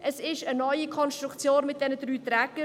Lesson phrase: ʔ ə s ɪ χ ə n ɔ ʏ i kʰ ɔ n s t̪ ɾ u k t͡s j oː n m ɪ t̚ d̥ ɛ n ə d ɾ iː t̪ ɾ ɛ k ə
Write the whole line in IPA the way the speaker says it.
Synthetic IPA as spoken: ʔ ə s ɪ ʃ ə n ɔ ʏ i kʰ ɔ n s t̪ ɾ u k t͡s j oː n m ɪ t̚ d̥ ɛ n ə d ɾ yː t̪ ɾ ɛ k ə